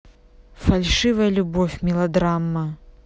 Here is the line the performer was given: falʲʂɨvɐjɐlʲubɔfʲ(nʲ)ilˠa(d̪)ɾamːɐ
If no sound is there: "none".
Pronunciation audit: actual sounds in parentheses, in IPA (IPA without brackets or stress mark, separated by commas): mʲ, d̪